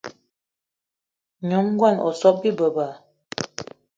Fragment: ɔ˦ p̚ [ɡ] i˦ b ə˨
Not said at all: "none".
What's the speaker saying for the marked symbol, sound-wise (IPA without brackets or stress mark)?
b